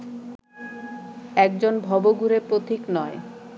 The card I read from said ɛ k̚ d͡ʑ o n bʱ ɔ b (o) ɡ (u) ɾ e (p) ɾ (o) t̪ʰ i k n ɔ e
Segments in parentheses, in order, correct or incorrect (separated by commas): correct, correct, correct, correct